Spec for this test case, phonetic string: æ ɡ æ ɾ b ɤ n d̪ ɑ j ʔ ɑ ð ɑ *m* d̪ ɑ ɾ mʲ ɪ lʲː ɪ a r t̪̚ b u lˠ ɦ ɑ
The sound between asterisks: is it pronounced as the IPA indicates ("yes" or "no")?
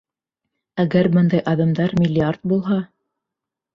yes